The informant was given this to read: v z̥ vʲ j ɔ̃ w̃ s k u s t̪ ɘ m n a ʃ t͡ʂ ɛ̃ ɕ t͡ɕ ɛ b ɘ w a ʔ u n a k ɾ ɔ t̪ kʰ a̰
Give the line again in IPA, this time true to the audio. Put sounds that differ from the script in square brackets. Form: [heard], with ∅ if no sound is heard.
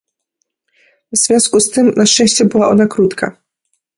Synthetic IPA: v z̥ vʲ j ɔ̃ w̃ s k u s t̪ ɘ m n a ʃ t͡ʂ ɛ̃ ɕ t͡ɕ ɛ b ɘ w a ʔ [ɔ] n a k ɾ [u] t̪ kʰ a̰